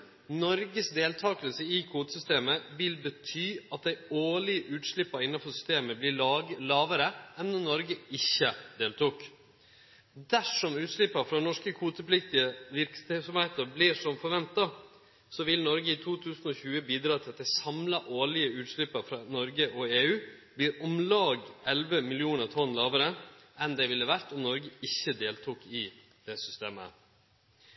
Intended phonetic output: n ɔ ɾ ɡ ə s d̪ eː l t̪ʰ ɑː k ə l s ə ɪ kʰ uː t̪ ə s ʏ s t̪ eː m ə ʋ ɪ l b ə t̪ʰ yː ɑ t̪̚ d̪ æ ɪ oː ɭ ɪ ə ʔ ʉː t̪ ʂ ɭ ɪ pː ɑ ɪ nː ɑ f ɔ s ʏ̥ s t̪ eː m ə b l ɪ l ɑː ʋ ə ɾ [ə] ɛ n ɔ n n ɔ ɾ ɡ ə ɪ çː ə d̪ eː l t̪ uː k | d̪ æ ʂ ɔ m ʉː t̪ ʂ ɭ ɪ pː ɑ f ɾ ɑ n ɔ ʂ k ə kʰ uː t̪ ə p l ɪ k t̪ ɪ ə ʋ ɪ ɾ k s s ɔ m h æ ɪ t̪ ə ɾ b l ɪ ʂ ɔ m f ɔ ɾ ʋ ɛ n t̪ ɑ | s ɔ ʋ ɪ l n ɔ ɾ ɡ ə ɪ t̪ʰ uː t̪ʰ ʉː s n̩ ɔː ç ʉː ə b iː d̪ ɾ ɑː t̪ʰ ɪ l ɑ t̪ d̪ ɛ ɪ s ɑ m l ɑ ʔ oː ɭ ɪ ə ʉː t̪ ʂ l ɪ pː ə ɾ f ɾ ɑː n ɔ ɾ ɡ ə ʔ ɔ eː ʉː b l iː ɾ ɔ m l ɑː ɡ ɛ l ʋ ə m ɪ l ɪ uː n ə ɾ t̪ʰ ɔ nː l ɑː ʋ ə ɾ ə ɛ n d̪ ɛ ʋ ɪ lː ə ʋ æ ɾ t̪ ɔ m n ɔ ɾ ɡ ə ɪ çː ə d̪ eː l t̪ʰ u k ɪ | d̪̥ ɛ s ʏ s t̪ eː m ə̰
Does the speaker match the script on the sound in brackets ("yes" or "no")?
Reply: yes